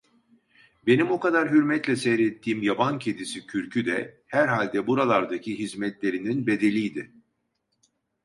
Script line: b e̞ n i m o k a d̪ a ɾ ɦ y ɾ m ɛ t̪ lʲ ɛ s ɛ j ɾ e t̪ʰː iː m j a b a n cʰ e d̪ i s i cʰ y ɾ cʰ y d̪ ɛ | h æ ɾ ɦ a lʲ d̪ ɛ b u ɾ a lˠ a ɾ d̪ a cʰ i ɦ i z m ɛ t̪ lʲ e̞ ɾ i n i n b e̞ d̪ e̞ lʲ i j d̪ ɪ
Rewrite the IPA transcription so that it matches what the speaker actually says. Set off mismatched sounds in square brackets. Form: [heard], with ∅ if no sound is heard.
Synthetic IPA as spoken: b e̞ n i m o k a d̪ a ɾ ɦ y ɾ m ɛ t̪ lʲ ɛ s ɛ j ɾ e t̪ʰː iː m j a b a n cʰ e d̪ i s i cʰ y ɾ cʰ y d̪ ɛ | h æ ɾ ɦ a lʲ d̪ ɛ b u ɾ a lˠ a ɾ d̪ a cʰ i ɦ i z m ɛ t̪ lʲ e̞ ɾ i n i n b e̞ d̪ e̞ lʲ i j d̪ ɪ